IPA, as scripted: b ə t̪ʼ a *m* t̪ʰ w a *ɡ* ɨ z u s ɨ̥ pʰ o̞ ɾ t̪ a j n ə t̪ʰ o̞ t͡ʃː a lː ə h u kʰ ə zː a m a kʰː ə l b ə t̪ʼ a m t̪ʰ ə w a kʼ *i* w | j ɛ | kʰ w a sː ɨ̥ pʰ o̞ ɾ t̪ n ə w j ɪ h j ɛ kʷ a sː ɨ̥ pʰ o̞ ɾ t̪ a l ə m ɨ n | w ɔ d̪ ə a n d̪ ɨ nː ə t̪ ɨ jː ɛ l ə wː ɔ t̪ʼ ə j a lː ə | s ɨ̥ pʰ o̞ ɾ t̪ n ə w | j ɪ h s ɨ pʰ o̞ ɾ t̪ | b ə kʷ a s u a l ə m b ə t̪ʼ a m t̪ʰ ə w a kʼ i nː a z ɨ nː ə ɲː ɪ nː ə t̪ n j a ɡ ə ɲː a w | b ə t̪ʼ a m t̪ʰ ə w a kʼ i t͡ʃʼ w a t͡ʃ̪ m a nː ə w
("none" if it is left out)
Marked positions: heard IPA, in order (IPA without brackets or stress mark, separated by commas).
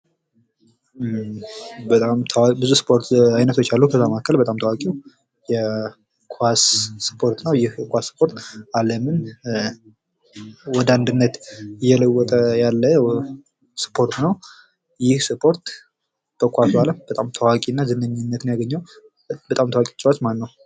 m, b, i